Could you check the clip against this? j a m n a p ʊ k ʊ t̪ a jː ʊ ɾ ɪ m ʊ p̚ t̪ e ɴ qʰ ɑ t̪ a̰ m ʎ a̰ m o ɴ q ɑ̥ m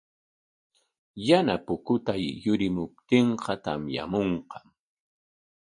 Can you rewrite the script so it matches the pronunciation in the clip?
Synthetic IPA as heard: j a n a p ʊ k ʊ t̪ a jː ʊ ɾ ɪ m ʊ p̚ t̪ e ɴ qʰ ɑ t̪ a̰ m j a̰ m o ɴ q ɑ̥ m